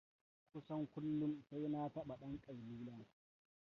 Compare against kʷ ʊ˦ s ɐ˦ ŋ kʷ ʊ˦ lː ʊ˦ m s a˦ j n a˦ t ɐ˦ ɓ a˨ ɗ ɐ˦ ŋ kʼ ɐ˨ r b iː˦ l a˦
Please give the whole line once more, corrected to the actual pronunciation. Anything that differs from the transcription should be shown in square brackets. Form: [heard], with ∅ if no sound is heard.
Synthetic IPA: kʷ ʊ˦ s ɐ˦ ŋ kʷ ʊ˦ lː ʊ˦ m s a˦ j n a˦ t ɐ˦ ɓ a˨ ɗ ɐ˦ ŋ kʼ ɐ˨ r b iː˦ l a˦